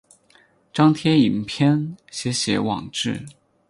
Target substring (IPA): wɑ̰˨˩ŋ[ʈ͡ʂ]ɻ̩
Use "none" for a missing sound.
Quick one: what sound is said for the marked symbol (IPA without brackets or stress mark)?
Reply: ʈ͡ʂ